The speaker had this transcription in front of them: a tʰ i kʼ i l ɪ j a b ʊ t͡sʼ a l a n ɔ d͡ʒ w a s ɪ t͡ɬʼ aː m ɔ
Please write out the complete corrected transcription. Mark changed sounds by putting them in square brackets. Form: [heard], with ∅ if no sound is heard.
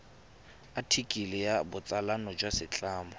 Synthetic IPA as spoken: a tʰ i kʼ i l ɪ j a b ʊ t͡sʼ a l a n ɔ d͡ʒ w a s ɪ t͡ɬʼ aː m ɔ